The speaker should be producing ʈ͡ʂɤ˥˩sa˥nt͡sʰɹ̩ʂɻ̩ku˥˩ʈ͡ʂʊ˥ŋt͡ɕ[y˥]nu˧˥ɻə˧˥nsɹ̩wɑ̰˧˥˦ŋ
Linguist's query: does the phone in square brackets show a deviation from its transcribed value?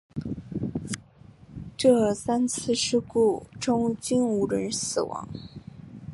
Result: yes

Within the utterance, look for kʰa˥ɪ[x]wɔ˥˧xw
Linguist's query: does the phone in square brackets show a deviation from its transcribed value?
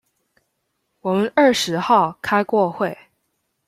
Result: yes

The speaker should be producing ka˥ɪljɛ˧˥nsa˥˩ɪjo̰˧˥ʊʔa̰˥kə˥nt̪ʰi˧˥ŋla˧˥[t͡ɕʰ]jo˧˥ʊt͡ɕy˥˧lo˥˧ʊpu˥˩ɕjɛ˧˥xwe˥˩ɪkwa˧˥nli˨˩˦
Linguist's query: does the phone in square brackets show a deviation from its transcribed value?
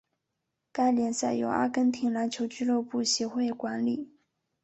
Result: no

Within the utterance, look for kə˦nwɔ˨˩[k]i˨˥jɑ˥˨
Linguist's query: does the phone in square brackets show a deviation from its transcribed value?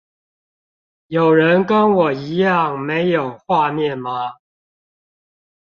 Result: yes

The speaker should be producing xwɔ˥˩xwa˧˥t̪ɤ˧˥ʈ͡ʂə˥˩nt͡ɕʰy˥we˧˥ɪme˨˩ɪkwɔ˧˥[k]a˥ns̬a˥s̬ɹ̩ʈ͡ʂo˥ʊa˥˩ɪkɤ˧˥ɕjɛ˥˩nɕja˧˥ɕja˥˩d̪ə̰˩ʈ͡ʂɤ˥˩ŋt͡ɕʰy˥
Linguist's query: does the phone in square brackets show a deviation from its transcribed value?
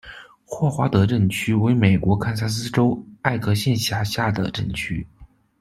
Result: yes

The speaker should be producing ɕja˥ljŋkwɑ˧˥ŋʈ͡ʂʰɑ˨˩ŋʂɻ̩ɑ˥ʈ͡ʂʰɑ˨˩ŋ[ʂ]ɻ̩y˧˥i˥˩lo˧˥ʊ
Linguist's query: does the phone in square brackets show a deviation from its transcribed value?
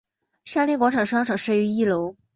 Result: no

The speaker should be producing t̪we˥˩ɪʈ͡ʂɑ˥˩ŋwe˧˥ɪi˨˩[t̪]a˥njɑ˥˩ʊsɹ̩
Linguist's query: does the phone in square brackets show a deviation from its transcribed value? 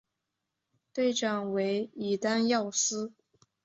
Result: no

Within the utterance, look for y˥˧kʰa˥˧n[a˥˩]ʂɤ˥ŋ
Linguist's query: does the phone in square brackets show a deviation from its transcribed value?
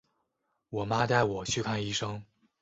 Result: yes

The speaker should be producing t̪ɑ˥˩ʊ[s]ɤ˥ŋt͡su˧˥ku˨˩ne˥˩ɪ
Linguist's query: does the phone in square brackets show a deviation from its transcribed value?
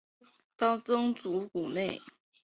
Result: yes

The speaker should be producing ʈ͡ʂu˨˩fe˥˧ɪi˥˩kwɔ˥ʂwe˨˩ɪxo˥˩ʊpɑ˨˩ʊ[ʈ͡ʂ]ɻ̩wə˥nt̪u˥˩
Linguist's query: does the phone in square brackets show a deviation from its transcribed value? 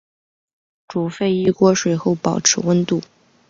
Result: yes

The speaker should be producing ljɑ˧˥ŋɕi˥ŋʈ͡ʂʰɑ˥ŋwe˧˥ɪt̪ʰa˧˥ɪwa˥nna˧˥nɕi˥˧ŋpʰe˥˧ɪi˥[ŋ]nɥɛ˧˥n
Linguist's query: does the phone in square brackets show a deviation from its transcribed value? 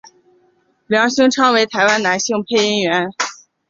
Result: yes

